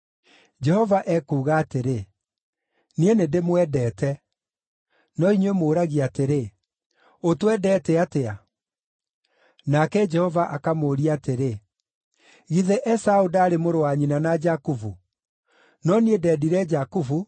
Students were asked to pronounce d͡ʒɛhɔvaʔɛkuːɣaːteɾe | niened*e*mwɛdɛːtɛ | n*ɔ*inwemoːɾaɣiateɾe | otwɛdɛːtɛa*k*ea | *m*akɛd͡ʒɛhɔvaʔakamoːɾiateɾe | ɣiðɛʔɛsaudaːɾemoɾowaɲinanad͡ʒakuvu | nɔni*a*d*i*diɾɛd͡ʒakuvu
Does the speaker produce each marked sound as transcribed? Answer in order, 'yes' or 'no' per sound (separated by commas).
yes, yes, no, no, no, no